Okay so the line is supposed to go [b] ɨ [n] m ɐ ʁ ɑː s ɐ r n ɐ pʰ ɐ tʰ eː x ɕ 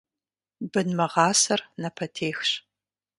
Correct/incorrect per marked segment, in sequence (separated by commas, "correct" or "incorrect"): correct, correct